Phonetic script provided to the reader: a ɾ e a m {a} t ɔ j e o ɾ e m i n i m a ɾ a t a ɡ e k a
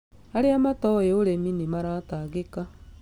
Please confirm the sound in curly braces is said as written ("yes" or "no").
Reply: yes